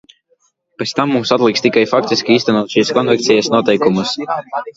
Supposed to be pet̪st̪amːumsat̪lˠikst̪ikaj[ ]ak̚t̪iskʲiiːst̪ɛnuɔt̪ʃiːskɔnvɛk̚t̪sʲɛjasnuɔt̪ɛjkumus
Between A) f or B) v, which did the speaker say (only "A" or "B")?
A